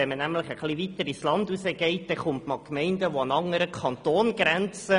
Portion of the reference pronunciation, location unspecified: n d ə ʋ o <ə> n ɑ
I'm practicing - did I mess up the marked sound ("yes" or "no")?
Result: yes